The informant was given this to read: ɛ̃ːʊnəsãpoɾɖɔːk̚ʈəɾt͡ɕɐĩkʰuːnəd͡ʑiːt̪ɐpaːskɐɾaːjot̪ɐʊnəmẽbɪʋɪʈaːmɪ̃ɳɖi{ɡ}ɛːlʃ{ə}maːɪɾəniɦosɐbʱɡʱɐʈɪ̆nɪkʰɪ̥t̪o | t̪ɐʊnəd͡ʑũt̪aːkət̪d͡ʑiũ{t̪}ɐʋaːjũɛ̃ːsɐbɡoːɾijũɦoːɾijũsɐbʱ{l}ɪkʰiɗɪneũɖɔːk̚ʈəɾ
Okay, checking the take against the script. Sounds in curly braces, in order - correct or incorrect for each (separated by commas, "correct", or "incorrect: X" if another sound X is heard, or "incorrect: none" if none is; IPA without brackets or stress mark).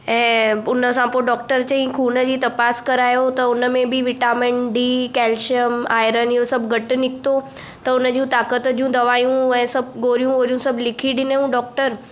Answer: incorrect: k, correct, incorrect: d̪, correct